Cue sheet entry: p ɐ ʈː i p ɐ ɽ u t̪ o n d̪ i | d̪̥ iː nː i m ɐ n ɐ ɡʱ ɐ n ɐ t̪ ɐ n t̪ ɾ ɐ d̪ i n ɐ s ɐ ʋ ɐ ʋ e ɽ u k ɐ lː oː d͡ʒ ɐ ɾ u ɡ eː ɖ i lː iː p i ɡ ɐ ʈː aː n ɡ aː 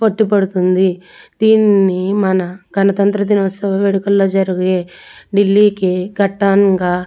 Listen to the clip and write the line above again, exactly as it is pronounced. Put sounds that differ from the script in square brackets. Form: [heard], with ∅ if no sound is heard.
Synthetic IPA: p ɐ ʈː i p ɐ ɽ u t̪ [u] n d̪ i | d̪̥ iː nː i m ɐ n ɐ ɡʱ ɐ n ɐ t̪ ɐ n t̪ ɾ ɐ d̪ i n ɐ s ɐ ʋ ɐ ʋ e ɽ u k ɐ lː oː d͡ʒ ɐ ɾ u ɡ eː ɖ i lː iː [k] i ɡ ɐ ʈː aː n ɡ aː

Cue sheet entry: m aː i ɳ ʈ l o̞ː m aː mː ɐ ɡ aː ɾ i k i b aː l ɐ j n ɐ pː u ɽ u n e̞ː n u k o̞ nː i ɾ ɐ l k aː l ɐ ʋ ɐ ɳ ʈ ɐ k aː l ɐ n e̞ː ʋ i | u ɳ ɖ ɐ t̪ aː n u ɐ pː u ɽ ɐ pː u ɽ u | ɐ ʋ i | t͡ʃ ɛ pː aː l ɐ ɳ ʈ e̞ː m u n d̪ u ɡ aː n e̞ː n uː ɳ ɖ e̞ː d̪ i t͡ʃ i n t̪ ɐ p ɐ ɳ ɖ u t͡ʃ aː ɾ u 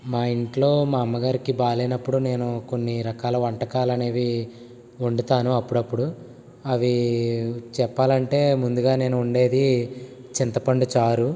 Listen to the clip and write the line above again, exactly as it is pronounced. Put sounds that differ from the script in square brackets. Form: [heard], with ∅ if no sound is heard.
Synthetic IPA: m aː i ɳ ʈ l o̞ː m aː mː ɐ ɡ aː ɾ i k i b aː l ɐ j n ɐ pː u ɽ u n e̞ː n u k o̞ nː i ɾ ɐ [∅] k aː l ɐ ʋ ɐ ɳ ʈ ɐ k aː l ɐ n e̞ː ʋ i | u ɳ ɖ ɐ t̪ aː n u ɐ pː u ɽ ɐ pː u ɽ u | ɐ ʋ i | t͡ʃ ɛ pː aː l ɐ ɳ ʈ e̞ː m u n d̪ u ɡ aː n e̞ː n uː ɳ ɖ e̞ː d̪ i t͡ʃ i n t̪ ɐ p ɐ ɳ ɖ u t͡ʃ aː ɾ u

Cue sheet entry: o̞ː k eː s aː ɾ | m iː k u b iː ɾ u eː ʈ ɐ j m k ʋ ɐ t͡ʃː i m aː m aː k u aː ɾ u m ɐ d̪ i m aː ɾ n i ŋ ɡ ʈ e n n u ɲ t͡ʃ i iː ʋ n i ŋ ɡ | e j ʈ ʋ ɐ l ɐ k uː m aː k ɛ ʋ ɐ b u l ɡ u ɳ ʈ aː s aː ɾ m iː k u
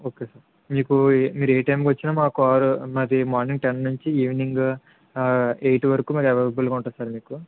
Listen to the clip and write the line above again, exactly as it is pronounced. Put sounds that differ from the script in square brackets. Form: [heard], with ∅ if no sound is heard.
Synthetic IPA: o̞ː k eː s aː ɾ | m iː k u [m] iː ɾ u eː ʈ ɐ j m k ʋ ɐ t͡ʃː i [n] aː m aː k u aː ɾ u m ɐ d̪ i m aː ɾ n i ŋ ɡ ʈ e n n u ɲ t͡ʃ i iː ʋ n i ŋ ɡ | e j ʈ ʋ ɐ [ɾ] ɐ k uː m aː k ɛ ʋ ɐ b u l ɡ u ɳ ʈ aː s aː ɾ m iː k u

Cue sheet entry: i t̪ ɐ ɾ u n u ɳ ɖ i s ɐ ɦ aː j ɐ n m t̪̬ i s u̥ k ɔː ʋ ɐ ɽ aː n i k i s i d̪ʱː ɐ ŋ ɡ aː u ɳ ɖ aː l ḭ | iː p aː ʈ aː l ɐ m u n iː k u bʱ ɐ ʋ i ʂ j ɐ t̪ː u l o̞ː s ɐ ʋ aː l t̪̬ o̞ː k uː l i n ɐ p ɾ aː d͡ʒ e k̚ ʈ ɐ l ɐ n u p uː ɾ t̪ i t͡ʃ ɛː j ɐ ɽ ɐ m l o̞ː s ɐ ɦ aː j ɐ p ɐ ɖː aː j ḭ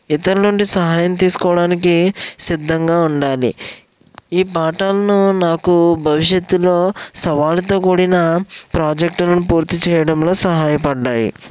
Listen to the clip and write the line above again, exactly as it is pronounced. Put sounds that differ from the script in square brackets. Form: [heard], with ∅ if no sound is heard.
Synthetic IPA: i t̪ ɐ ɾ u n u ɳ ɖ i s ɐ ɦ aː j ɐ [∅] m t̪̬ [iː] s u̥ k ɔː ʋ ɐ ɽ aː n i k i s i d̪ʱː ɐ ŋ ɡ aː u ɳ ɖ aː l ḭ | iː p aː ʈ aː l ɐ [n] u n [aː] k u bʱ ɐ ʋ i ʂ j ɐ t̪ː u l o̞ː s ɐ ʋ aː l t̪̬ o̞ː k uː [ɽ] i n ɐ p ɾ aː d͡ʒ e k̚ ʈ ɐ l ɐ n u p uː ɾ t̪ i t͡ʃ ɛː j ɐ ɽ ɐ m l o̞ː s ɐ ɦ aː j ɐ p ɐ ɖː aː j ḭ

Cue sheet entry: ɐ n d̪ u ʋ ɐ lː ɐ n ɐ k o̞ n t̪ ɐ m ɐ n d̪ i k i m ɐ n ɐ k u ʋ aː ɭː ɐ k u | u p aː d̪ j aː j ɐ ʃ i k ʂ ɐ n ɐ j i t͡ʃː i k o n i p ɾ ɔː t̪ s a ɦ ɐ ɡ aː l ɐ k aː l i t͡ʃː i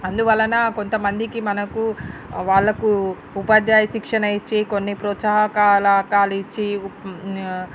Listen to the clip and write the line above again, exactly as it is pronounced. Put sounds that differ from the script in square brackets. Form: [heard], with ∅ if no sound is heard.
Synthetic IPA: ɐ n d̪ u ʋ ɐ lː ɐ n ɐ k o̞ n t̪ ɐ m ɐ n d̪ i k i m ɐ n ɐ k u ʋ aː ɭː ɐ k u | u p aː d̪ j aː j ɐ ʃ i k ʂ ɐ n ɐ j i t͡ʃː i k o [nː] i p ɾ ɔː t̪ s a ɦ ɐ [k] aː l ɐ k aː l i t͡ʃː i

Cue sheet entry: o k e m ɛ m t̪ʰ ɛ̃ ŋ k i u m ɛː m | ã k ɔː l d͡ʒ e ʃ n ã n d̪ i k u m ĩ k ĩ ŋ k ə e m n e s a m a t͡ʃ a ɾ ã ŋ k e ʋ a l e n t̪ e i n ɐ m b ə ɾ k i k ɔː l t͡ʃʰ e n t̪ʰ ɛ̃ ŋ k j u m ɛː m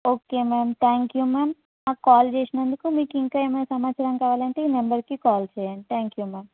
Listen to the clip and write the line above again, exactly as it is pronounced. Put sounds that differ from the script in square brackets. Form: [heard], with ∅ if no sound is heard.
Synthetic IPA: o k e m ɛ m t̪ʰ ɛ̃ ŋ k [j] u m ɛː m | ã k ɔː l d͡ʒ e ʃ n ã n d̪ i k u m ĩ k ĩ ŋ k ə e m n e s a m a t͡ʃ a ɾ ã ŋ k [a] ʋ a l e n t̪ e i n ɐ m b ə ɾ k i k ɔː l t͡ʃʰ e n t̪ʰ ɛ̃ ŋ k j u m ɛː m

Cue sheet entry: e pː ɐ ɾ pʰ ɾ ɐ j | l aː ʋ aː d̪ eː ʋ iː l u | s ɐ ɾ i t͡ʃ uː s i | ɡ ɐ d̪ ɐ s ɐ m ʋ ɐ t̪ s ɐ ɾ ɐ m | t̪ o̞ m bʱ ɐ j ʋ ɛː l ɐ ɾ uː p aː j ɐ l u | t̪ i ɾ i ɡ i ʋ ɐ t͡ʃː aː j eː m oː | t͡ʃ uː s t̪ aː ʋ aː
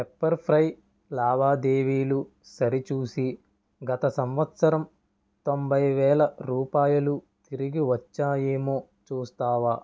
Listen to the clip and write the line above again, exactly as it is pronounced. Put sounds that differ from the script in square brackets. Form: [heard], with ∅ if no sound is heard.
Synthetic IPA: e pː ɐ ɾ pʰ ɾ ɐ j | l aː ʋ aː d̪ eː ʋ iː l u | s ɐ ɾ i t͡ʃ uː s i | ɡ ɐ [t̪] ɐ s ɐ m ʋ ɐ t̪ s ɐ ɾ ɐ m | t̪ o̞ m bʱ ɐ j ʋ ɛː l ɐ ɾ uː p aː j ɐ l u | t̪ i ɾ i ɡ i ʋ ɐ t͡ʃː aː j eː m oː | t͡ʃ uː s t̪ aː ʋ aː

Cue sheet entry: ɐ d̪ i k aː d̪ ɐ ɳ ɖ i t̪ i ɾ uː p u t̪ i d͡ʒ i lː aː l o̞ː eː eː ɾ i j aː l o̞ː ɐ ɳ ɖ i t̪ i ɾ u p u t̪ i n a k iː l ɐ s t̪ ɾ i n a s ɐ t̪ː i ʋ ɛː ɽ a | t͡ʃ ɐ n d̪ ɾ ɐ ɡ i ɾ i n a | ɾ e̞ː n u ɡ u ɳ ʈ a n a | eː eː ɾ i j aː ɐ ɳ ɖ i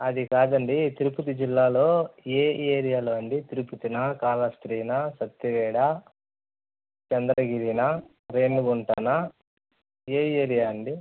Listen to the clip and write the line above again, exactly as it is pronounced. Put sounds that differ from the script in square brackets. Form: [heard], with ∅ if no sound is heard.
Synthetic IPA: ɐ d̪ i k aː d̪ ɐ ɳ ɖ i t̪ i ɾ [u] p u t̪ i d͡ʒ i lː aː l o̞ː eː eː ɾ i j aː l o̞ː ɐ ɳ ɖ i t̪ i ɾ u p u t̪ i n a k [aː] l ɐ s t̪ ɾ [iː] n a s ɐ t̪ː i ʋ ɛː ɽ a | t͡ʃ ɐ n d̪ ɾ ɐ ɡ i ɾ i n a | ɾ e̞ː n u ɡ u ɳ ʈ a n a | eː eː ɾ i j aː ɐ ɳ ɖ i

